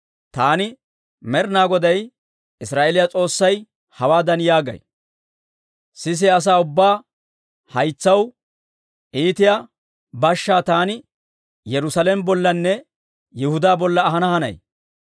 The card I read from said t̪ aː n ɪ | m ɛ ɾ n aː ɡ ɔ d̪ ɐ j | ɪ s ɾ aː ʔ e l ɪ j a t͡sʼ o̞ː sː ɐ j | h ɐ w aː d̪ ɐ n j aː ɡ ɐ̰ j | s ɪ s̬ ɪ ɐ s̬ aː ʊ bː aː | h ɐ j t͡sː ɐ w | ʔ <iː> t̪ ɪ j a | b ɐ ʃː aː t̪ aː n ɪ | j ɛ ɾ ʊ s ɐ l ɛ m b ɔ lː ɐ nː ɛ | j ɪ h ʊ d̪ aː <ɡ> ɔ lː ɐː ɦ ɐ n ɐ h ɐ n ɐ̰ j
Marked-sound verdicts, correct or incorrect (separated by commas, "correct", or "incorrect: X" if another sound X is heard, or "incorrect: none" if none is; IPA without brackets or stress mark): correct, incorrect: b